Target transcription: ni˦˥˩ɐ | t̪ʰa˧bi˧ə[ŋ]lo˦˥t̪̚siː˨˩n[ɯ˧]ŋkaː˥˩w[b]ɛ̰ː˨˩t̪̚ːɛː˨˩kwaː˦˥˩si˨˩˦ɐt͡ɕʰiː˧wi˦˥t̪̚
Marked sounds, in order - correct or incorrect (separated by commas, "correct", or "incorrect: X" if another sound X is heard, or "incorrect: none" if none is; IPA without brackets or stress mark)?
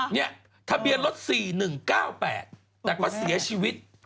incorrect: n, incorrect: ɯ˨˩, incorrect: p